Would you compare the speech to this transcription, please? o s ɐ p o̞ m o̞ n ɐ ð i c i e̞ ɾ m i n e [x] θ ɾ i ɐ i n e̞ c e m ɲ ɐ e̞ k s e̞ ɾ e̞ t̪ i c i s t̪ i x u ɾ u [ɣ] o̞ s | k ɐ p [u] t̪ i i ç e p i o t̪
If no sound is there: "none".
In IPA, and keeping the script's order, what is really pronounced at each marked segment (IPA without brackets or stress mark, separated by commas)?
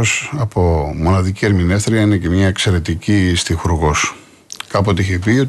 f, ɣ, o